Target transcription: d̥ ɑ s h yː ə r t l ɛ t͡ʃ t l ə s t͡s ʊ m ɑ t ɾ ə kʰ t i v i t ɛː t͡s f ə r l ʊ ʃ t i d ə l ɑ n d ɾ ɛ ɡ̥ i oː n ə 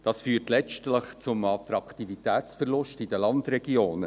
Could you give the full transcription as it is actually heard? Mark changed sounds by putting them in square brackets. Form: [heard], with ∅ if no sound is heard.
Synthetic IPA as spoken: d̥ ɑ s [f] yː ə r t l ɛ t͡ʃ t l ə [χ] t͡s ʊ m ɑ t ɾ [ɑ] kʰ t i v i t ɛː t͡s f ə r l ʊ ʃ t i d ə l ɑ n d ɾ ɛ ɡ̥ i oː n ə